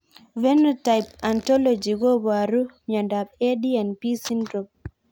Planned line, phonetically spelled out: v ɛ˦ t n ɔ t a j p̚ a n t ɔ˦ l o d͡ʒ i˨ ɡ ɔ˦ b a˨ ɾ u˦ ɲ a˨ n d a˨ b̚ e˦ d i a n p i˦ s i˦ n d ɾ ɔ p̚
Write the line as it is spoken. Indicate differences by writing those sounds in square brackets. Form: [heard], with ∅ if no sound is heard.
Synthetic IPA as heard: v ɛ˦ [∅] n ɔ t a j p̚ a n t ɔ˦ l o d͡ʒ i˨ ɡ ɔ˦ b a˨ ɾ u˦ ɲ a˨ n d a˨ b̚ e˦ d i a n p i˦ s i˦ n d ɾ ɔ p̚